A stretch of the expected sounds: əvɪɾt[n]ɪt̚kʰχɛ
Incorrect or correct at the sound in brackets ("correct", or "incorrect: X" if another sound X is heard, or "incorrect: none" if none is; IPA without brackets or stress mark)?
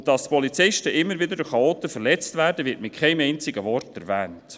incorrect: m